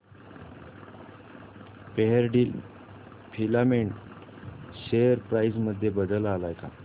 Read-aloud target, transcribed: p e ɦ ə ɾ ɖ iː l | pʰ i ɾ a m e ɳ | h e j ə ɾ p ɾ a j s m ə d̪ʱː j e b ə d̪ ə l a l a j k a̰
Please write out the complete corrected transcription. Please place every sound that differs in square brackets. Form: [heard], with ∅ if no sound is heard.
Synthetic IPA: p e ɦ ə ɾ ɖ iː l | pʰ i [l] a m e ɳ | [ɕ] e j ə ɾ p ɾ a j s m ə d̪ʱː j e b ə d̪ ə l a l a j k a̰